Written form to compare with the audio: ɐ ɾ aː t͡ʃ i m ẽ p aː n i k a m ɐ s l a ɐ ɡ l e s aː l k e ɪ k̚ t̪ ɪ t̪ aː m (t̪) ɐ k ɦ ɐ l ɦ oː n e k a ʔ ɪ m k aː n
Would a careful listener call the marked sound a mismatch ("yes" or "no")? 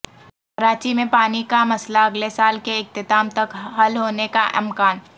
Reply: no